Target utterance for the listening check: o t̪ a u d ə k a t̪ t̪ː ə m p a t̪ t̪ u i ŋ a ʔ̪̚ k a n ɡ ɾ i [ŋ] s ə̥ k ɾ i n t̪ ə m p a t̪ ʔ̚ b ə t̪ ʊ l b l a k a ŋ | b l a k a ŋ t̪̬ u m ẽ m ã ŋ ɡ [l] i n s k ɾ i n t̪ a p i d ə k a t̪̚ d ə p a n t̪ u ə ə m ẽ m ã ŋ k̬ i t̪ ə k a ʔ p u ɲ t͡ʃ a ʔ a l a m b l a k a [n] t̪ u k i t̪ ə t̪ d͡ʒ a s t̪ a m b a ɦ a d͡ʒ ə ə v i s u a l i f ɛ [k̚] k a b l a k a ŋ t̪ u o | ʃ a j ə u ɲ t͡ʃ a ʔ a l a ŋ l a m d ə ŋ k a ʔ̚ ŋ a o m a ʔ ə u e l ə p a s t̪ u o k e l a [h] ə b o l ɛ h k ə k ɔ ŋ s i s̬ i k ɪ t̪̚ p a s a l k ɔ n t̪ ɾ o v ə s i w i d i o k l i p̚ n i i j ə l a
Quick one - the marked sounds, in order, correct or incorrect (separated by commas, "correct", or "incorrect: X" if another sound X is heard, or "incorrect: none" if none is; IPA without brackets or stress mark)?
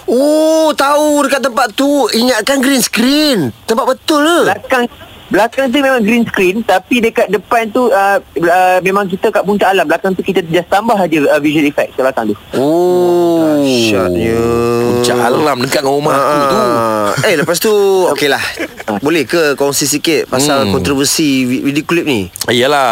incorrect: n, incorrect: ɾ, incorrect: ŋ, correct, correct